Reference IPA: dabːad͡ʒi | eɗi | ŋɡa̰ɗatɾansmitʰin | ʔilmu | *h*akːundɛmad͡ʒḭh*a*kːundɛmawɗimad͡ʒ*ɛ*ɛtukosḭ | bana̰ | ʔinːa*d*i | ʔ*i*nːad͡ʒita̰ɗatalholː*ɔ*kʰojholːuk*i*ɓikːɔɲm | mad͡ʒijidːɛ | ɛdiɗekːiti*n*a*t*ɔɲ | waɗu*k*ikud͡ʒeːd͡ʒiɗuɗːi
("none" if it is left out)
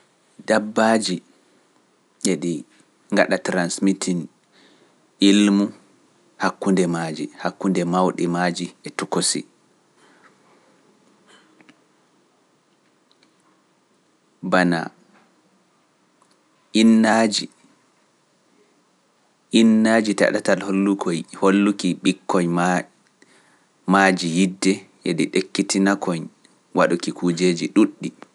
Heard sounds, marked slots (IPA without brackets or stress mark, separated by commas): h, a, i, d͡ʒ, i, u, i, n, k, k